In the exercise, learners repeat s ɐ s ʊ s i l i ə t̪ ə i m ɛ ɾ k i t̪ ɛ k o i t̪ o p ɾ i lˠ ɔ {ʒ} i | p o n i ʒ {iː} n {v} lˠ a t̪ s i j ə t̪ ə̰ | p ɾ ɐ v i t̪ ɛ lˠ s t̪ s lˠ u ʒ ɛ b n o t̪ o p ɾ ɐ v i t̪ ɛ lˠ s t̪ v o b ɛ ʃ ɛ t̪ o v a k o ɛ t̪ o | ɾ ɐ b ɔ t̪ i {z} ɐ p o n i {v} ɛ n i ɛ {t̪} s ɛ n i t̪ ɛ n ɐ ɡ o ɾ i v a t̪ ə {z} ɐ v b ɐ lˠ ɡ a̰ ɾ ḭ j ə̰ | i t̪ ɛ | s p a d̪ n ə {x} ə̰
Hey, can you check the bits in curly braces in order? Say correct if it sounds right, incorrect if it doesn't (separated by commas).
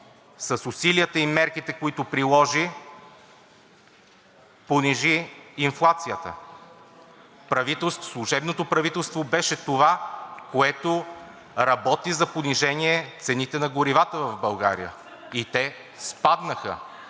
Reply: correct, correct, incorrect, correct, incorrect, correct, incorrect, correct